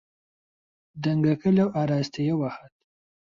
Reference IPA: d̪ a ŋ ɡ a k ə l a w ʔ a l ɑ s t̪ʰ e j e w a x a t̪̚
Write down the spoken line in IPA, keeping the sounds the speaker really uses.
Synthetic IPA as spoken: d̪ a ŋ ɡ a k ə l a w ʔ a ɾ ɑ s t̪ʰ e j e w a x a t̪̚